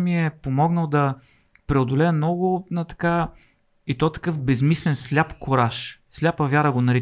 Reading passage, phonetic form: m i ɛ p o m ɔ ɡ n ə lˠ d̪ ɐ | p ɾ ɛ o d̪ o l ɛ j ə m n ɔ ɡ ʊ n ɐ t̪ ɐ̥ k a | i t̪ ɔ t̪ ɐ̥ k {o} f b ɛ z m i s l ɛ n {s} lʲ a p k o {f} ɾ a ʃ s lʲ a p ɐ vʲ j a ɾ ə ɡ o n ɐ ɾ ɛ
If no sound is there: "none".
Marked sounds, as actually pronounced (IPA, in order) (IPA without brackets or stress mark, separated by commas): ɤ, s, none